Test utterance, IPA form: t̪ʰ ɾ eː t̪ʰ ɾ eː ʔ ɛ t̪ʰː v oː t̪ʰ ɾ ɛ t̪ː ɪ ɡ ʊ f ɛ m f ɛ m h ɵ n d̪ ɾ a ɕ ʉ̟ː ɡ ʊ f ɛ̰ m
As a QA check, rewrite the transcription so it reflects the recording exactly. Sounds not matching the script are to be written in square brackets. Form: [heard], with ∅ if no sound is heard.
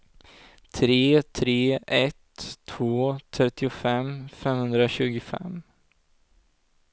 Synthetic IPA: t̪ʰ ɾ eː t̪ʰ ɾ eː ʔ ɛ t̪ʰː v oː t̪ʰ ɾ ɛ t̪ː ɪ [∅] ʊ f ɛ m f ɛ m h ɵ n d̪ ɾ a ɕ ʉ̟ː ɡ ʊ f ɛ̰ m